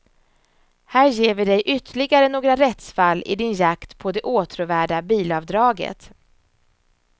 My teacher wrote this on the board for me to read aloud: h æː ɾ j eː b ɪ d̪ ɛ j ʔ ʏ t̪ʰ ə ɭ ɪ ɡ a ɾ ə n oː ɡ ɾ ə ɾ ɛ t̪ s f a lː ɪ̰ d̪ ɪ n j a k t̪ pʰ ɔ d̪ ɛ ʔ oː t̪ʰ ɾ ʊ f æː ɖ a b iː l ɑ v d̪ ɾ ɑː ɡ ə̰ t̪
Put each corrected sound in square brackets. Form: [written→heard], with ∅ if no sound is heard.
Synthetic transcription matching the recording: h æː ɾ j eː [b→v] ɪ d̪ ɛ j ʔ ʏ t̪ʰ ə ɭ ɪ ɡ a ɾ ə n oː ɡ ɾ [ə→a] ɾ ɛ t̪ s f a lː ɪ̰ d̪ ɪ n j a k t̪ pʰ ɔ d̪ ɛ ʔ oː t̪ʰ ɾ ʊ [f→v] æː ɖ a b iː l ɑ v d̪ ɾ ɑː ɡ ə̰ t̪

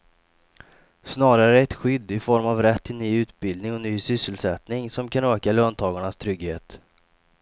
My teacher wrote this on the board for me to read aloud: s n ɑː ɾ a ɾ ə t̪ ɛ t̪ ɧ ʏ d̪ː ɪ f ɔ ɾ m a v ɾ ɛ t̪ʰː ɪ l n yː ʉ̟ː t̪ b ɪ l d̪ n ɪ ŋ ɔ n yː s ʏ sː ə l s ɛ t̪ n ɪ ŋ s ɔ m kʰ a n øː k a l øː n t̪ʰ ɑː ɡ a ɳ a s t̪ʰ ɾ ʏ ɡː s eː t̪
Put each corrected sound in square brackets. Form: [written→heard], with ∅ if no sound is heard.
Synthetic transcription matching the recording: s n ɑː ɾ a ɾ ə [t̪→∅] ɛ t̪ ɧ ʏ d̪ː ɪ f ɔ ɾ m a v ɾ ɛ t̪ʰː ɪ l n yː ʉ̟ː t̪ b ɪ l d̪ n ɪ ŋ ɔ n yː s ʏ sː ə l s ɛ t̪ n ɪ ŋ s ɔ m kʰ a n øː k a l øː n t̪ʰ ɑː ɡ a ɳ a s t̪ʰ ɾ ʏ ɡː [s→h] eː t̪

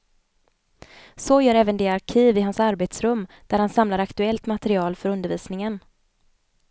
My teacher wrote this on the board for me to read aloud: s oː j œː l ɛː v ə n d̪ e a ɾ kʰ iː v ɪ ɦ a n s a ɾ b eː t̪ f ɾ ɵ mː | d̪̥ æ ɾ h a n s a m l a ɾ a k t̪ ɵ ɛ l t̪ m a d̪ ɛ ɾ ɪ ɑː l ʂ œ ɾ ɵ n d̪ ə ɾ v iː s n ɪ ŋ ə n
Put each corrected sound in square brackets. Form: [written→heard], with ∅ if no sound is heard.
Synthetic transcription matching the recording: s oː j œː [l→ɾ] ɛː v ə n d̪ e a ɾ kʰ iː v ɪ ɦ a n s a ɾ b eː t̪ [f→s] ɾ ɵ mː | d̪̥ æ ɾ h a n s a m l a ɾ a k t̪ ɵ ɛ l t̪ m a [d̪→t̪] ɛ ɾ ɪ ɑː l [ʂ→f] œ ɾ ɵ n d̪ ə ɾ v iː s n ɪ ŋ ə n

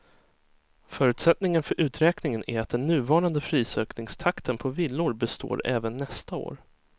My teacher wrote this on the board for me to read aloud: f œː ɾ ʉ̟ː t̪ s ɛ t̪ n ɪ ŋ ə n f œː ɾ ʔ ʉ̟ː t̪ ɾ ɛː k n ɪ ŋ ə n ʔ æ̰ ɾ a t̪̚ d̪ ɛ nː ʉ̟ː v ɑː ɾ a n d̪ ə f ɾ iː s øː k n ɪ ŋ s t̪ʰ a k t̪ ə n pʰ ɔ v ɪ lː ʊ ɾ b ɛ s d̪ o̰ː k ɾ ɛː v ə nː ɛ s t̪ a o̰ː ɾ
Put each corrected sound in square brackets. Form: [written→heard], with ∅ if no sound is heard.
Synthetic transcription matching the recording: f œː ɾ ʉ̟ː t̪ s ɛ t̪ n ɪ ŋ ə n f [œː→œ] ɾ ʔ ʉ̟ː t̪ ɾ ɛː k n ɪ ŋ ə n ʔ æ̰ ɾ a t̪̚ d̪ ɛ nː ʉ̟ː v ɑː ɾ a n d̪ ə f ɾ iː s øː k n ɪ ŋ s t̪ʰ a k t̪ ə n pʰ ɔ v ɪ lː ʊ ɾ b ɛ s [d̪→t̪] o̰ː [k→∅] ɾ ɛː v ə nː ɛ s t̪ a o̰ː ɾ

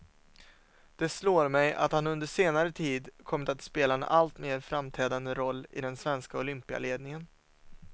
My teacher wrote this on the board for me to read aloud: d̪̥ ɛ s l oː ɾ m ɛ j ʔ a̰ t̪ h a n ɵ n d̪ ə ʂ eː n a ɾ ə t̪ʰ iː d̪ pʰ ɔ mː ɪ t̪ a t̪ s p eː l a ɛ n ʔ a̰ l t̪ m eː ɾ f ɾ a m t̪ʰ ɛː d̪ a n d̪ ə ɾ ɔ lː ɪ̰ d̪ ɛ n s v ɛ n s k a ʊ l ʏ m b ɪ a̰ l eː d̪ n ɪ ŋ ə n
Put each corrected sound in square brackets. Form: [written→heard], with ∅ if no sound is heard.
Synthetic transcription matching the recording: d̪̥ ɛ s l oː ɾ m ɛ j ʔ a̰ t̪ h a n ɵ n d̪ ə ʂ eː n a ɾ ə t̪ʰ iː d̪ [pʰ→kʰ] ɔ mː ɪ t̪ a t̪ s p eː l a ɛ n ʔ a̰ l t̪ m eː ɾ f ɾ a m t̪ʰ ɛː d̪ a n d̪ ə ɾ ɔ lː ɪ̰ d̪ ɛ n s v ɛ n s k a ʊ l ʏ m [b→p] ɪ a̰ l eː d̪ n ɪ ŋ ə n

